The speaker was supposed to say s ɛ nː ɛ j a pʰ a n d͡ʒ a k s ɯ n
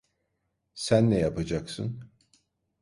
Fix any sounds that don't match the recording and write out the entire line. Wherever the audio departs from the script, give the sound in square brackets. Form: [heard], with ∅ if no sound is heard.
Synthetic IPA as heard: s [æ] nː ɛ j a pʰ a [∅] d͡ʒ a k s ɯ n